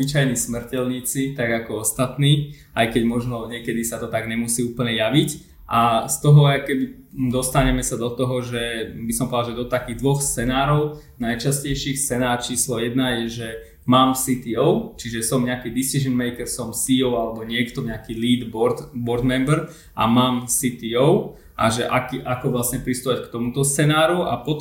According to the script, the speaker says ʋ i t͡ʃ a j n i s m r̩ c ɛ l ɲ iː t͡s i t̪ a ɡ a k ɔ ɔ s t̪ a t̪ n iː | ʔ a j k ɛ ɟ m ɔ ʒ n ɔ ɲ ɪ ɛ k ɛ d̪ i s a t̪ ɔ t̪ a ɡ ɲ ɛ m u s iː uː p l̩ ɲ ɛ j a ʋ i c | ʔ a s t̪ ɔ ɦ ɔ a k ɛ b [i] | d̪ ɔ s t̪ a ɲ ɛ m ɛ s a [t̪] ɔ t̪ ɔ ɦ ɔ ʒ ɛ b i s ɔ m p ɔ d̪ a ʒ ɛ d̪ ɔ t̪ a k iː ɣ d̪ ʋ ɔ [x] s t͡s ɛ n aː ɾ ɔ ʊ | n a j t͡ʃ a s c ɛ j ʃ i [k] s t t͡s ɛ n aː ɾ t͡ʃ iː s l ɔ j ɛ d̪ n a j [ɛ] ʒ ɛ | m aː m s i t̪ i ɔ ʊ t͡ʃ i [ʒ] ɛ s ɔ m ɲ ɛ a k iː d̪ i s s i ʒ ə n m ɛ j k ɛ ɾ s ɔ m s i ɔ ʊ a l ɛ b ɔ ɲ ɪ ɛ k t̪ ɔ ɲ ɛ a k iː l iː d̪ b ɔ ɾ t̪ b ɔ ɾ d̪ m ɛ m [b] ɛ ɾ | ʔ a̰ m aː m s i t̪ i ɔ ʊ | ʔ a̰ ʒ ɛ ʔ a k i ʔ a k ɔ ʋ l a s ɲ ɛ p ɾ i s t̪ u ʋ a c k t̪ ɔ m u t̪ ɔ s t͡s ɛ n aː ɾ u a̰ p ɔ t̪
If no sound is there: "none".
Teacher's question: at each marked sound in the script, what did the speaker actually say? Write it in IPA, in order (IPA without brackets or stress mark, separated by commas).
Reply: i, d̪, x, x, ɛ, ʒ, b